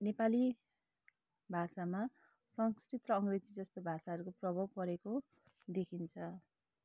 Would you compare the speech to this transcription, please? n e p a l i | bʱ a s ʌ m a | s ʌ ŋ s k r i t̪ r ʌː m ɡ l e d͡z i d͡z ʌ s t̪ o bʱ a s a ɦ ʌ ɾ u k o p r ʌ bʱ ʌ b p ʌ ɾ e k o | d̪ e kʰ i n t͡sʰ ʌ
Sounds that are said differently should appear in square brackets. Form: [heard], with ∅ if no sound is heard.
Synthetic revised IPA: n e p a l i | bʱ a s [a] m a | s ʌ ŋ s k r i t̪ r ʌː [ŋ] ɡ [r] e d͡z i d͡z ʌ s t̪ o bʱ a s a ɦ ʌ ɾ u k o p r ʌ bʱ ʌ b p ʌ ɾ e k o | d̪ e kʰ i n t͡sʰ ʌ

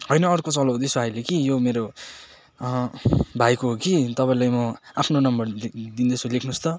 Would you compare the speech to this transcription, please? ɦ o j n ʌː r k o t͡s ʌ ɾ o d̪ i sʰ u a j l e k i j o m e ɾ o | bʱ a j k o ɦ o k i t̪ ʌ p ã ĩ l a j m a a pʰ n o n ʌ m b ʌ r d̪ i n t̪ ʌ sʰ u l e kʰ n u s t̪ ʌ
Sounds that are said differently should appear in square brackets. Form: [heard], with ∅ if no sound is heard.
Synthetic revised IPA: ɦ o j n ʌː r k o t͡s ʌ [l] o d̪ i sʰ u a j l e k i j o m e ɾ o | bʱ a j k o ɦ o k i t̪ ʌ p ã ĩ l a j m [ʌ] a pʰ n o n ʌ m b ʌ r d̪ i n [d̪] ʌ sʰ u l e kʰ n u s t̪ ʌ

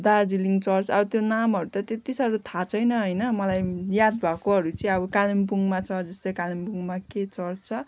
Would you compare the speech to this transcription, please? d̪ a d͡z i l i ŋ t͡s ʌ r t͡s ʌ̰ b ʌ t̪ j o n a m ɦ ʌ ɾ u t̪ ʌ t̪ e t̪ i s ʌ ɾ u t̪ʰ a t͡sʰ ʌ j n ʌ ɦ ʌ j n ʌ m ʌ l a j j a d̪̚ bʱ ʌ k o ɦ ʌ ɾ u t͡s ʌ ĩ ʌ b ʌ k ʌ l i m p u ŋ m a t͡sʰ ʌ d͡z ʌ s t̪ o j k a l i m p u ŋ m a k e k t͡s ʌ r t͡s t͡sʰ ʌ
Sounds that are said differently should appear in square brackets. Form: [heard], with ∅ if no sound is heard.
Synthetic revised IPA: d̪ a d͡z i l i ŋ t͡s ʌ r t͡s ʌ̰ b ʌ t̪ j o n a m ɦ ʌ ɾ u t̪ ʌ t̪ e t̪ i s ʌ ɾ u t̪ʰ a t͡sʰ ʌ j n ʌ ɦ ʌ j n ʌ m ʌ l a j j a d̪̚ bʱ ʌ k o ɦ ʌ ɾ u t͡s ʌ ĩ ʌ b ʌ k [a] l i m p u ŋ m a t͡sʰ ʌ d͡z ʌ s t̪ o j k a l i m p u ŋ m a k e [∅] t͡s ʌ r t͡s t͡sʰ ʌ

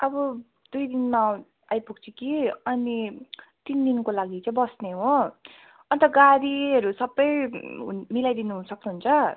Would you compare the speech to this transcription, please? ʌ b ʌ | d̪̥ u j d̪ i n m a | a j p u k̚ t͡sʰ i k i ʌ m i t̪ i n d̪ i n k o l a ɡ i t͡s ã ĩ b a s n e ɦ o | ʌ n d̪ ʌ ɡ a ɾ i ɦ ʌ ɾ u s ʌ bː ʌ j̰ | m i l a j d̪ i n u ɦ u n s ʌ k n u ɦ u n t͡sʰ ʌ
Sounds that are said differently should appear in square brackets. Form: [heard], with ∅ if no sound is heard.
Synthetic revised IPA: ʌ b ʌ | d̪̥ u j d̪ i n m a | a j p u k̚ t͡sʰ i k i ʌ [n] i t̪ i n d̪ i n k o l a ɡ i t͡s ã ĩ b [ʌ] s n e ɦ o | ʌ n [t̪] ʌ ɡ a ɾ i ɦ ʌ ɾ u s ʌ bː ʌ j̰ | m i l a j d̪ i n u ɦ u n s ʌ k n u ɦ u n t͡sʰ ʌ

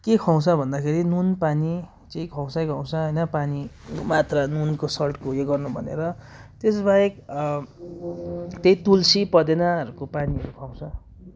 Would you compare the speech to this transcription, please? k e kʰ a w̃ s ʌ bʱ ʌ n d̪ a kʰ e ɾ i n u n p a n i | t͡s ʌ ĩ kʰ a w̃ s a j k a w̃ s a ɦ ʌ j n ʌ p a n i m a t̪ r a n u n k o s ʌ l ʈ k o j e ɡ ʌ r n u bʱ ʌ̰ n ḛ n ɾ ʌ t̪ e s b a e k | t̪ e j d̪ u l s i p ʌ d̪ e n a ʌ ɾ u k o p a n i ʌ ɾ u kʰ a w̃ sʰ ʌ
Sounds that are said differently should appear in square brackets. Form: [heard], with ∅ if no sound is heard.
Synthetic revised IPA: k e kʰ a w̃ s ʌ bʱ ʌ n d̪ a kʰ e ɾ i n u n p a n i | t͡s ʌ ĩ kʰ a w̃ s a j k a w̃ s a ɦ ʌ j n ʌ p a n i m a t̪ r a n u n k o s ʌ l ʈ k o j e ɡ ʌ r n u bʱ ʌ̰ n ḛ [∅] ɾ ʌ t̪ e s b a e k | t̪ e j [t̪] u l s i p ʌ d̪ e n a ʌ ɾ u k o p a n i ʌ ɾ u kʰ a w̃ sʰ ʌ

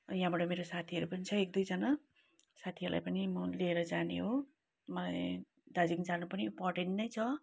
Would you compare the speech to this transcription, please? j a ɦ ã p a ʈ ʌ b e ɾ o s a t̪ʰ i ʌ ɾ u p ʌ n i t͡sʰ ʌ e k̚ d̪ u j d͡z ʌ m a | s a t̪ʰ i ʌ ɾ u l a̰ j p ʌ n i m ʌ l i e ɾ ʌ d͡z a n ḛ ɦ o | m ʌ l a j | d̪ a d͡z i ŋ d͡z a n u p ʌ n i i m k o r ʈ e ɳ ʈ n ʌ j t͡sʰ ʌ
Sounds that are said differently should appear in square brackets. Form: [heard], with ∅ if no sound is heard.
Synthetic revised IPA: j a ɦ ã [b] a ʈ ʌ [m] e ɾ o s a t̪ʰ i ʌ ɾ u p ʌ n i t͡sʰ ʌ e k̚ d̪ u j d͡z ʌ [n] a | s a t̪ʰ i ʌ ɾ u l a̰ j p ʌ n i m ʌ l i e ɾ ʌ d͡z a n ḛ ɦ o | m ʌ l a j | d̪ a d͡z i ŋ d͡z a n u p ʌ n i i m [p] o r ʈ e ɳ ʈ n ʌ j t͡sʰ ʌ

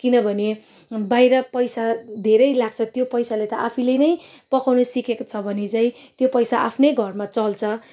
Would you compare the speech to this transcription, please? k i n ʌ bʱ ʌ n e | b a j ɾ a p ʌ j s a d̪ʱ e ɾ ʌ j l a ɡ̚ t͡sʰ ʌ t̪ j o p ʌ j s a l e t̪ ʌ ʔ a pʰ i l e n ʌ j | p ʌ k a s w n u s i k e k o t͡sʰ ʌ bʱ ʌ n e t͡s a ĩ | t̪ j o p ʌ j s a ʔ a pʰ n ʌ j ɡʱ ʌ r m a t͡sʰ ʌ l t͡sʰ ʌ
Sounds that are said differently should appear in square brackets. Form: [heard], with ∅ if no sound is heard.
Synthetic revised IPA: k i n ʌ bʱ ʌ n e | b a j ɾ [ʌ] p ʌ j s a d̪ʱ e ɾ ʌ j l a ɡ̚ t͡sʰ ʌ t̪ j o p ʌ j s a l e t̪ ʌ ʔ a pʰ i l e n ʌ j | p ʌ k a [∅] w n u s i k e k o t͡sʰ ʌ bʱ ʌ n e t͡s a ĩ | t̪ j o p ʌ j s a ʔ a pʰ n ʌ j ɡʱ ʌ r m a [t͡s] ʌ l t͡sʰ ʌ

